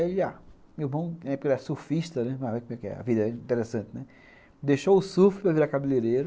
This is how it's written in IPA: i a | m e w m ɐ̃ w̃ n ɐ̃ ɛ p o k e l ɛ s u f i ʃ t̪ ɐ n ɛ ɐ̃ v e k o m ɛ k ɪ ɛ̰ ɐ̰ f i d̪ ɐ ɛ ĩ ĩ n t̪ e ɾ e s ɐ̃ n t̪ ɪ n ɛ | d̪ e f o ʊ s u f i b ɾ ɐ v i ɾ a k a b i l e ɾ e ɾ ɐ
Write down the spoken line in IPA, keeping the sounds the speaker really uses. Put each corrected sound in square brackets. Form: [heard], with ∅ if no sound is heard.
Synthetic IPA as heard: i a | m e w m ɐ̃ w̃ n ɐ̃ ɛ p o k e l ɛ s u f i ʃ t̪ ɐ n ɛ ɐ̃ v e k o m ɛ k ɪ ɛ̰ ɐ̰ [v] i d̪ ɐ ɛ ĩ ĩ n t̪ e ɾ e s ɐ̃ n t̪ ɪ n ɛ | d̪ e [ʃ] o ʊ s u f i [p] ɾ ɐ v i ɾ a k a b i l e ɾ e ɾ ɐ